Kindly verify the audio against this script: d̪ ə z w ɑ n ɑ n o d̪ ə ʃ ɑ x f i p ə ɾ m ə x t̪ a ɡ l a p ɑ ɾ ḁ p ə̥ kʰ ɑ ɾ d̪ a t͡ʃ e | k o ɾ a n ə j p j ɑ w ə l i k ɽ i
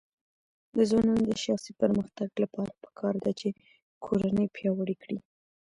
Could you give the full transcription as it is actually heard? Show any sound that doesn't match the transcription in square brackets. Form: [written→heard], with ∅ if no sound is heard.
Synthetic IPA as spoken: d̪ ə z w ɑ n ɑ n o d̪ ə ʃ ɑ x [f→s] i p ə ɾ m ə x t̪ a ɡ l a p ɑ ɾ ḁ p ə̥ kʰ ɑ ɾ d̪ a t͡ʃ e | [k→kʰ] o ɾ a n ə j p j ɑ w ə [l→ɽ] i k ɽ i